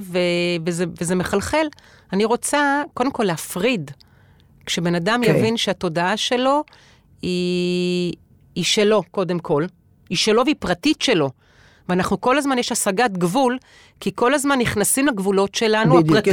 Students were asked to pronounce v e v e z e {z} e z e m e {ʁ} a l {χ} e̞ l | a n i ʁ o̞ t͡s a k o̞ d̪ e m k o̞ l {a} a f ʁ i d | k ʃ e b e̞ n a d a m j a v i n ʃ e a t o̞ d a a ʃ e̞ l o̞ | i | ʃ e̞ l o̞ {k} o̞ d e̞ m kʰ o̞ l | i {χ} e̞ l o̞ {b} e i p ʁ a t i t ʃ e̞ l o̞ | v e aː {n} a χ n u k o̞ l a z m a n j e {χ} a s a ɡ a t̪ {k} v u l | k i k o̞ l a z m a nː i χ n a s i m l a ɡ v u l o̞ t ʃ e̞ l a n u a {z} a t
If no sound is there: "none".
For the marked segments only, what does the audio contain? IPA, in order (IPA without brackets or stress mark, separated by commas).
v, χ, χ, e, k, ʃ, v, n, ʃ, ɡ, ʁ